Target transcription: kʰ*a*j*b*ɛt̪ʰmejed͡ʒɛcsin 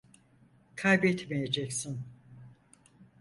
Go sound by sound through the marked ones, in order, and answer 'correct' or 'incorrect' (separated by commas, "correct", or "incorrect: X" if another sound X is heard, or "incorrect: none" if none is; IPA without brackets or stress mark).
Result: correct, correct